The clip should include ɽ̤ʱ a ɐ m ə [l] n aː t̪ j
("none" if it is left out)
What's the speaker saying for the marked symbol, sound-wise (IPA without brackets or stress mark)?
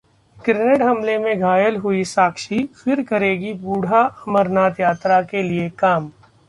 ɾ